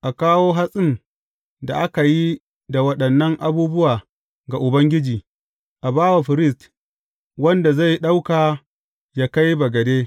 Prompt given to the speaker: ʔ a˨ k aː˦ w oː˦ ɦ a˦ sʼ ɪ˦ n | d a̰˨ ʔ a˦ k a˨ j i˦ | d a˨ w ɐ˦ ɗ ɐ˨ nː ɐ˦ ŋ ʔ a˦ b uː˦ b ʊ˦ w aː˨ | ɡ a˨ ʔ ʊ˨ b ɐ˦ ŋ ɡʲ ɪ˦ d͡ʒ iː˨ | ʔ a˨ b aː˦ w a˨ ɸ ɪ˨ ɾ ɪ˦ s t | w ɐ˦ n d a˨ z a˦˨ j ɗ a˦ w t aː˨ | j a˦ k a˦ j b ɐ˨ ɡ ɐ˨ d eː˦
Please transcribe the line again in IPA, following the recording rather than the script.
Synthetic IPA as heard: ʔ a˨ k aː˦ w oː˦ ɦ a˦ sʼ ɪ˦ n | d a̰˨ ʔ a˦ k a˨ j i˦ | d a˨ w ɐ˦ ɗ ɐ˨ nː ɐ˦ ŋ ʔ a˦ b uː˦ b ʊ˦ w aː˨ | ɡ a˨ ʔ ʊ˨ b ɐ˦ ŋ ɡʲ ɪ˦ d͡ʒ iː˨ | ʔ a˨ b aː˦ w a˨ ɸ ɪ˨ ɾ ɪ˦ s t | w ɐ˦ n d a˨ z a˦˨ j ɗ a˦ w k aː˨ | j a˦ k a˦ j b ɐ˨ ɡ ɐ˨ d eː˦